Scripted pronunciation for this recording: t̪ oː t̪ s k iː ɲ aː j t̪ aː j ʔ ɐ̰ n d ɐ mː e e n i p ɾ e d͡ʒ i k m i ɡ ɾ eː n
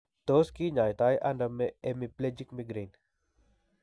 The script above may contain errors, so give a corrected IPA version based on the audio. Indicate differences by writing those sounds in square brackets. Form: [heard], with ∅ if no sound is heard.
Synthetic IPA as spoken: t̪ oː [∅] s k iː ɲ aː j t̪ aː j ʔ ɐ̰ n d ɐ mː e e [m] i p [l] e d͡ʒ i k m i ɡ ɾ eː n